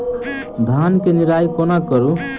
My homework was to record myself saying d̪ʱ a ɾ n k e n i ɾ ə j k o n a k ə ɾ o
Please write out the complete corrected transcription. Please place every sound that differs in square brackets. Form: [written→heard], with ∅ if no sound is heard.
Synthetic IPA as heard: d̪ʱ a [ɾ→∅] n k e n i ɾ [ə→a] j k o n a k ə ɾ [o→u]